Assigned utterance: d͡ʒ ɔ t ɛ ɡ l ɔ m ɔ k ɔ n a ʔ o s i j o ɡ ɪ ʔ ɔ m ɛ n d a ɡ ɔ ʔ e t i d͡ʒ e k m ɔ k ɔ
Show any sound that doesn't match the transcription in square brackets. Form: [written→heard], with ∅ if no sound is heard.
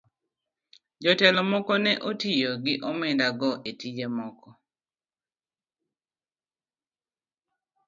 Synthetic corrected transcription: d͡ʒ ɔ t ɛ [ɡ→∅] l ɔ m ɔ k ɔ n [a→ɛ] ʔ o [s→t] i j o ɡ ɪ ʔ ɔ m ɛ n d a ɡ ɔ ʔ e t i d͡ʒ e [k→∅] m ɔ k ɔ